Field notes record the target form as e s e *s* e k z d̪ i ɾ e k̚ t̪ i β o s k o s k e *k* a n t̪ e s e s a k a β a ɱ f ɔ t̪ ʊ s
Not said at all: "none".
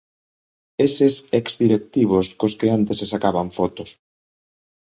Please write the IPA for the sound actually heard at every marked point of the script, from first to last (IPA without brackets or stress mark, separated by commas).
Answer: s, none